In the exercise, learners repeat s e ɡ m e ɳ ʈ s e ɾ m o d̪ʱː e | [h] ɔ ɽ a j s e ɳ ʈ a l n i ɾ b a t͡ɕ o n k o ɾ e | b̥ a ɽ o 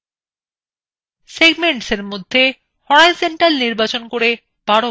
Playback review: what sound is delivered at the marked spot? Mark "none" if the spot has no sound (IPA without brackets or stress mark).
h